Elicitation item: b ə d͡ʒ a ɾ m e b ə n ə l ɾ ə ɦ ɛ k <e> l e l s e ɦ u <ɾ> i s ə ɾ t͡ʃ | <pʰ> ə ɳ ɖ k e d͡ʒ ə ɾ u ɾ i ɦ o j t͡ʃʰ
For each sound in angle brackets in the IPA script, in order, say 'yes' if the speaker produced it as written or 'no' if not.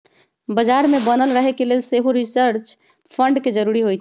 yes, yes, yes

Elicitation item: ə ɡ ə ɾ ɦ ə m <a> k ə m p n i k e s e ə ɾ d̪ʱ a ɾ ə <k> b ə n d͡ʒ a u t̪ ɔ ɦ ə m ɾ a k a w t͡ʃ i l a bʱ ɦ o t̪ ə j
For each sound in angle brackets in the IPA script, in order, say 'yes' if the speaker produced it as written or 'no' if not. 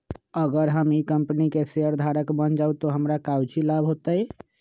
no, yes

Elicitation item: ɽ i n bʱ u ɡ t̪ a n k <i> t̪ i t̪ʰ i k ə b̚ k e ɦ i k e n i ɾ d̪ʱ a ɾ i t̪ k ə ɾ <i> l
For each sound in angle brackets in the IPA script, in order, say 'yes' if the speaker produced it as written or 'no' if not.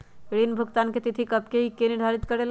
no, no

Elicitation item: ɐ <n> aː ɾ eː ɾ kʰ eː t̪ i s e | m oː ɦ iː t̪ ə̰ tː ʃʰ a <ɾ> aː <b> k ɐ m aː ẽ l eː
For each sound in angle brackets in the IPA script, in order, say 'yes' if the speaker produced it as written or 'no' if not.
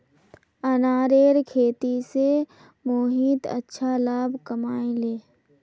yes, no, yes

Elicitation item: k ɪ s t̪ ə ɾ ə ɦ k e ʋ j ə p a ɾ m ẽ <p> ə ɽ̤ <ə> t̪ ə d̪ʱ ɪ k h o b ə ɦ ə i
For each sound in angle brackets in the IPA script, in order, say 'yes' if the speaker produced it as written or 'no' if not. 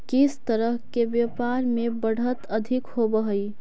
no, yes

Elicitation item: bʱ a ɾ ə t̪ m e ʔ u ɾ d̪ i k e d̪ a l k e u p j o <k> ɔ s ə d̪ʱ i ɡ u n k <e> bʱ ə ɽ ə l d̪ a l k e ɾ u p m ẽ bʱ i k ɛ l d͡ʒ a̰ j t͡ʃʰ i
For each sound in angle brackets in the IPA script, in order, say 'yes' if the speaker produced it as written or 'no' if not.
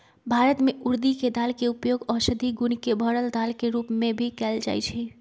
no, yes

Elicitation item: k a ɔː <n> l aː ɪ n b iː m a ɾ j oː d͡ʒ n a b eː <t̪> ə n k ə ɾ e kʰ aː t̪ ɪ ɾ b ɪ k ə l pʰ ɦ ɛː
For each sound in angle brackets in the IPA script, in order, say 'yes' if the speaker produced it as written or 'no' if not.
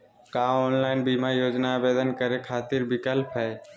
yes, no

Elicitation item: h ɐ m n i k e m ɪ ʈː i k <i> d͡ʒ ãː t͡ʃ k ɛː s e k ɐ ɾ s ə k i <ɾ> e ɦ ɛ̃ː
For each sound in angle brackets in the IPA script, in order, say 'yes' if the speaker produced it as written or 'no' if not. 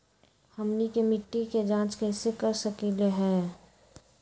no, no

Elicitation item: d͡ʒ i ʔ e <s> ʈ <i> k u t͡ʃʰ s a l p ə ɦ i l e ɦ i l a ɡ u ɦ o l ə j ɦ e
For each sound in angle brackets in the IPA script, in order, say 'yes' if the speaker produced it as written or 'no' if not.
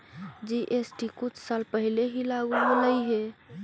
yes, yes

